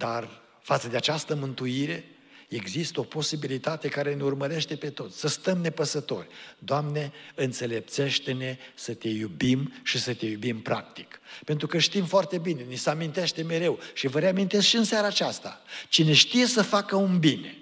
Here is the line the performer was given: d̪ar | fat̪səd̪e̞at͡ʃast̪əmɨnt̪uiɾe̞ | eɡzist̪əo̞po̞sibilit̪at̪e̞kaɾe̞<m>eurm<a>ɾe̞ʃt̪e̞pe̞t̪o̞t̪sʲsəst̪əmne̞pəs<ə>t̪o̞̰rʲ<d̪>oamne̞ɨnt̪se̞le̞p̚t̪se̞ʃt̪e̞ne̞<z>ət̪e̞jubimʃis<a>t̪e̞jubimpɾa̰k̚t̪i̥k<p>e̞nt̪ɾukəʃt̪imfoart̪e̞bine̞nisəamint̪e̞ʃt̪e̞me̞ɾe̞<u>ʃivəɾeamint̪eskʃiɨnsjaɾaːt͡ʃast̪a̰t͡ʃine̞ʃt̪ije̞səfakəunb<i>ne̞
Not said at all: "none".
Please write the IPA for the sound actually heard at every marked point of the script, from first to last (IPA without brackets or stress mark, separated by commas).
n, ə, ə, d̪, s, ə, p, w, i